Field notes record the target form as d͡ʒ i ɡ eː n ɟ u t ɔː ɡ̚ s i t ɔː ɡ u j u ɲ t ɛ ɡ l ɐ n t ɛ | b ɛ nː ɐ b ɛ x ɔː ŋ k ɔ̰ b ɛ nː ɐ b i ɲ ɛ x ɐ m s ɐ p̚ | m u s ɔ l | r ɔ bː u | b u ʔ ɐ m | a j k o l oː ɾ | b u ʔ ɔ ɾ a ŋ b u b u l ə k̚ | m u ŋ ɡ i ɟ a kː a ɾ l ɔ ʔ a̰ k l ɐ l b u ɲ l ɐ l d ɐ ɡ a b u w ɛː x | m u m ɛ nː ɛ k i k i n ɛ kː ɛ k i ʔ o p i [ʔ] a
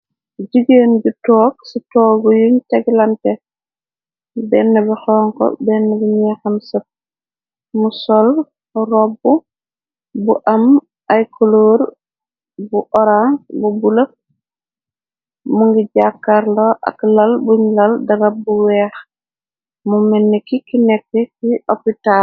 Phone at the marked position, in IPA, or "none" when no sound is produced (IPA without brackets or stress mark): t